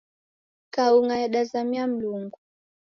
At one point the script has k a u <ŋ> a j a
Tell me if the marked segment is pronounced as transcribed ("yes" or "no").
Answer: yes